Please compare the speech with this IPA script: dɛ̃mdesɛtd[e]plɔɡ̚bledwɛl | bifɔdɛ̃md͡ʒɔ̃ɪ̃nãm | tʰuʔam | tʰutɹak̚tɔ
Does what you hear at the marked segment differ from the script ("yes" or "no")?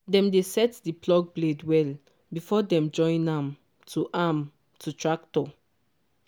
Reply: yes